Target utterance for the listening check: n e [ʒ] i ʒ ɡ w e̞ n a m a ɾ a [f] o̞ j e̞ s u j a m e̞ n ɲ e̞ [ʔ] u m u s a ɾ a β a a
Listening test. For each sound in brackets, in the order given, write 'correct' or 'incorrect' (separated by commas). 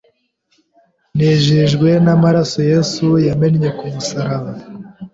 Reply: correct, incorrect, incorrect